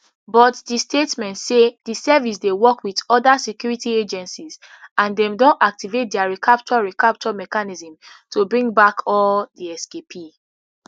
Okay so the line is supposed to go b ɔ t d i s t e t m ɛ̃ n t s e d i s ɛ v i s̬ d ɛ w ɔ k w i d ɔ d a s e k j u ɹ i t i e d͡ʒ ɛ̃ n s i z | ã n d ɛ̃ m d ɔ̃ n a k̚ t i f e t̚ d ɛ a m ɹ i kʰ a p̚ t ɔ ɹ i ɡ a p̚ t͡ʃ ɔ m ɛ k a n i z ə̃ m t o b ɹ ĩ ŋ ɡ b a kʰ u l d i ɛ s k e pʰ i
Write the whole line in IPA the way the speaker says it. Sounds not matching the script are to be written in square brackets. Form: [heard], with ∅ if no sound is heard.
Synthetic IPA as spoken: b ɔ t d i s t e t m ɛ̃ n t s e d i s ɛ v i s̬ d [e] w ɔ k w i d ɔ d a s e k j u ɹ i t i e d͡ʒ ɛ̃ n s i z | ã n d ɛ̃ m d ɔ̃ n a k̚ t i [v] e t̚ d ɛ a [∅] ɹ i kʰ a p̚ [t͡ʃ] ɔ ɹ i [k] a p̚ t͡ʃ ɔ m ɛ k a n i z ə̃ m t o b ɹ ĩ ŋ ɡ b a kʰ [ɔ] l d i ɛ s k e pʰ i